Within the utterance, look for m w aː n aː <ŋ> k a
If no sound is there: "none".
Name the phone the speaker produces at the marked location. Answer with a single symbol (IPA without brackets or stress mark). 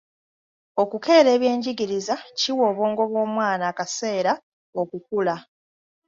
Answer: none